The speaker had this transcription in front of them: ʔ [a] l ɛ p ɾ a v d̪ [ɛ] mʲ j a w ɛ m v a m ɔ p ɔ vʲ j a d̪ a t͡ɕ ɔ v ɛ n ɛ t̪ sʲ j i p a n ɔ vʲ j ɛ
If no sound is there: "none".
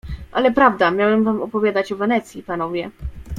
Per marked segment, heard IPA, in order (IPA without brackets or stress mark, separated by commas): a, a